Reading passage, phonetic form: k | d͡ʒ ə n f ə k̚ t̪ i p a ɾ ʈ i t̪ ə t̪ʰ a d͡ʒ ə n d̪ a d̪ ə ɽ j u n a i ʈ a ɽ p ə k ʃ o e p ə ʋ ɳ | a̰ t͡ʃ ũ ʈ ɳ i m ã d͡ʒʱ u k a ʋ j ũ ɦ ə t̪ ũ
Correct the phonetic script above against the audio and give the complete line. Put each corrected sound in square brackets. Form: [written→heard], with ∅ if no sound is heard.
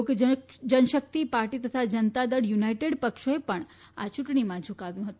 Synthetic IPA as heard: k | d͡ʒ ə n [f→ʃ] ə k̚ t̪ i p a ɾ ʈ i t̪ ə t̪ʰ a d͡ʒ ə n [d̪→t̪] a d̪ ə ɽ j u n a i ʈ [a→e] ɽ p ə k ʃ o e p ə [ʋ→∅] ɳ | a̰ t͡ʃ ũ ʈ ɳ i m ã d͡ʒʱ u k a ʋ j ũ ɦ ə t̪ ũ